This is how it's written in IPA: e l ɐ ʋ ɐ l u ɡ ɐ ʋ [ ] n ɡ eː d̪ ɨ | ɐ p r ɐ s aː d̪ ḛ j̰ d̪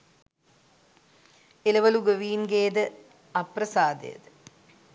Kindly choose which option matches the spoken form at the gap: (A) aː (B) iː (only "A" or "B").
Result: B